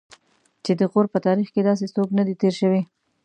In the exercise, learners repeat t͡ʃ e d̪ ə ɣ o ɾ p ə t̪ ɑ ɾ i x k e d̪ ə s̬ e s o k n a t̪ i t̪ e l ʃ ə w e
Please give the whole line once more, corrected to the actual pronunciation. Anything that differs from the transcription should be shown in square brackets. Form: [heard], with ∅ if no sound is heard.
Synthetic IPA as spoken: t͡ʃ e d̪ ə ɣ o ɾ p ə t̪ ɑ ɾ i x k e d̪ [ɑ] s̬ e s o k n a [d̪] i t̪ e [ɾ] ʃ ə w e